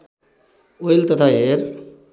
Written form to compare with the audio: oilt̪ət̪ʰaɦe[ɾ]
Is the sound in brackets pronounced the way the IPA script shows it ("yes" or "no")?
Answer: yes